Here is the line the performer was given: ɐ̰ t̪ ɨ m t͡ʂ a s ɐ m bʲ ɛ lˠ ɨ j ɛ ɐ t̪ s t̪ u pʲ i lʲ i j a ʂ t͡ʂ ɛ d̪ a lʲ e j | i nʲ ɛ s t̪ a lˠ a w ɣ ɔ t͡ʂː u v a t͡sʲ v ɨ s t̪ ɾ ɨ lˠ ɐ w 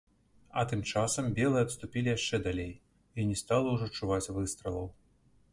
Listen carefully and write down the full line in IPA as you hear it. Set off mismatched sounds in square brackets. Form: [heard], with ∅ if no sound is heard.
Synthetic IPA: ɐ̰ t̪ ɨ m t͡ʂ a s ɐ m bʲ ɛ lˠ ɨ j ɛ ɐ t̪ s t̪ u pʲ i lʲ i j a ʂ t͡ʂ ɛ d̪ a lʲ e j | i nʲ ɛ s t̪ a lˠ [ɐ] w [ʐ] ɔ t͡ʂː u v a t͡sʲ v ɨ s t̪ ɾ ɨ lˠ ɐ w